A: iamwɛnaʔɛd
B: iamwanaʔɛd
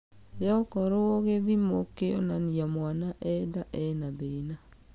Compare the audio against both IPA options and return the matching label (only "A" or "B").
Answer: B